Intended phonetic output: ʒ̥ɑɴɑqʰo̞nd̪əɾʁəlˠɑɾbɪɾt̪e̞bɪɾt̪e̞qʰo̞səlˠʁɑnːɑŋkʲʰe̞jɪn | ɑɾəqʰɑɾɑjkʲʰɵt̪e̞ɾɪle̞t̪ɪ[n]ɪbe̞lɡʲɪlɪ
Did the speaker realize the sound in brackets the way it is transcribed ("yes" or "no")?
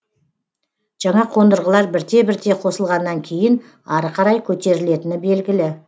yes